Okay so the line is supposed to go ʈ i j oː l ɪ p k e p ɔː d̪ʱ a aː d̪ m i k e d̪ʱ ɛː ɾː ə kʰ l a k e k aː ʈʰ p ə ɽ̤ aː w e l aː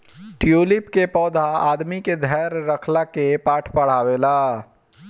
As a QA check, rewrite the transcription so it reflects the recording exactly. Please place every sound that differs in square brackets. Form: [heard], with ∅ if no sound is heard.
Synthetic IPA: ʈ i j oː l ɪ p k e p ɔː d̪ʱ a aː d̪ m i k e d̪ʱ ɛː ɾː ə kʰ l a k e [p] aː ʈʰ p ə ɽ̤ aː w e l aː